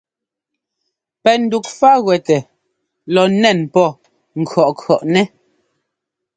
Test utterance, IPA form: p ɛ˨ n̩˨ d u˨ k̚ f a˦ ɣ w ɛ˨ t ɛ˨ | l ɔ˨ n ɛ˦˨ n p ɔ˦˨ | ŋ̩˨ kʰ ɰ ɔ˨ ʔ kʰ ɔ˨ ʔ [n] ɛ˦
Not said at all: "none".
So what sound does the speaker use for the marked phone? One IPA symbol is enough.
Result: n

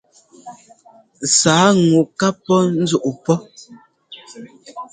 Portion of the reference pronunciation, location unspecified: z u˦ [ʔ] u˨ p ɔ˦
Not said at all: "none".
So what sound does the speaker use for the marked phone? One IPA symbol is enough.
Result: ʔ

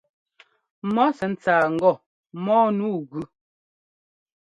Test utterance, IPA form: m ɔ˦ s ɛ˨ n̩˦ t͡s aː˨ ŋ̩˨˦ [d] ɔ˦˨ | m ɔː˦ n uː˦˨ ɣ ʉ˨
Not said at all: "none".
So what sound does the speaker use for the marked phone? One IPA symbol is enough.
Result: ɡ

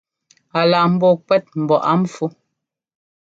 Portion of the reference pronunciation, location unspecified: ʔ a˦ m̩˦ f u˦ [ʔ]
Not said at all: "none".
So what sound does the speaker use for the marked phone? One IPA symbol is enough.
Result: none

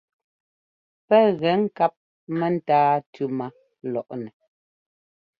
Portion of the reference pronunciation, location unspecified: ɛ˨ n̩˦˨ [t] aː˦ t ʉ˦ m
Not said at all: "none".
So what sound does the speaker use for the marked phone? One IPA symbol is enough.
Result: t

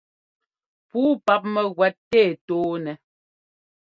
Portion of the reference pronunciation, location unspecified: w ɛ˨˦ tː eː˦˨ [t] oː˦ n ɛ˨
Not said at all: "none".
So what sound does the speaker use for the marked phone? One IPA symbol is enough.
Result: t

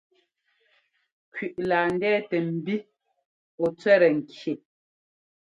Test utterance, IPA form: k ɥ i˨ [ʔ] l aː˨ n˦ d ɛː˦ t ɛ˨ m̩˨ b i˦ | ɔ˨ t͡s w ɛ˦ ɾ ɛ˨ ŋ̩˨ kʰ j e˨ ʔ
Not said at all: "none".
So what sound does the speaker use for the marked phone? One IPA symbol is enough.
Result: ʔ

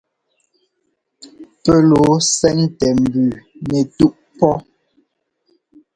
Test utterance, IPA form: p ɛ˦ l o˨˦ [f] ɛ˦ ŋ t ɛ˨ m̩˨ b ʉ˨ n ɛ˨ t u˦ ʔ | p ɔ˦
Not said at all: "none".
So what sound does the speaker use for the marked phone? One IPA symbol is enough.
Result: s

